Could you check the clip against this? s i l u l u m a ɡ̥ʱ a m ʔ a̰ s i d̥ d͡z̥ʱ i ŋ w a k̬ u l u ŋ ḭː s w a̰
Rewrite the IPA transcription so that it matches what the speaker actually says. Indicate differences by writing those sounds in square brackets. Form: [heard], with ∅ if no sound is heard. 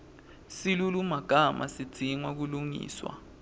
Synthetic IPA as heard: s i l u l u m a ɡ̥ʱ a m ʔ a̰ s i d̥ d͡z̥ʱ i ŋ w a k̬ u l u ŋ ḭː s w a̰